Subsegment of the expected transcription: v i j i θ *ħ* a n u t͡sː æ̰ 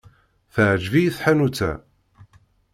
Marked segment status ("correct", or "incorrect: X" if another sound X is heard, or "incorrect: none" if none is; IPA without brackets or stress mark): correct